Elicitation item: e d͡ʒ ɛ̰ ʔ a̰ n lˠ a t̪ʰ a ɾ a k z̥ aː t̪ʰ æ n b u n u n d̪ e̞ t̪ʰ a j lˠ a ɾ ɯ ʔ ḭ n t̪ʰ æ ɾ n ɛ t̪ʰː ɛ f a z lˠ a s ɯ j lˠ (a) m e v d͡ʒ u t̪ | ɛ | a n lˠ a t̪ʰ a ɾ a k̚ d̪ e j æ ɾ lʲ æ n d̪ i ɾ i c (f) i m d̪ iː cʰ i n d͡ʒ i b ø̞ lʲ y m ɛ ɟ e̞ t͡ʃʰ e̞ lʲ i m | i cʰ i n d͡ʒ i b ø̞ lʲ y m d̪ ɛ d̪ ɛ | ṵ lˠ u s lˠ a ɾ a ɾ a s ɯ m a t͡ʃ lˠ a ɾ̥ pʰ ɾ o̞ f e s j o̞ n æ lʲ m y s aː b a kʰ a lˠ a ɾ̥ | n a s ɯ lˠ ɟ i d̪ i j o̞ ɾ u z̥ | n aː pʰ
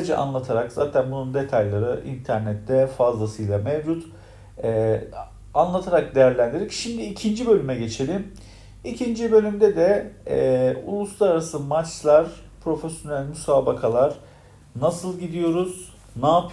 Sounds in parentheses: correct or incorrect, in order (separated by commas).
correct, incorrect